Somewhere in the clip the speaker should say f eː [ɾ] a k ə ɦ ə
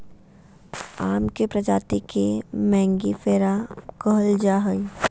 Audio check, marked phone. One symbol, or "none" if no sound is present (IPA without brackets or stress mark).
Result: ɾ